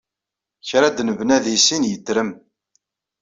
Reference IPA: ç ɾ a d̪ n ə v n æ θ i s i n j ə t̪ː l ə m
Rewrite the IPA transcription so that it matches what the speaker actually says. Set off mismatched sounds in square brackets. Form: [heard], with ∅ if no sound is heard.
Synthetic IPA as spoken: ç ɾ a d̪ n ə v n æ [ð] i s i n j ə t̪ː [ɾ] ə m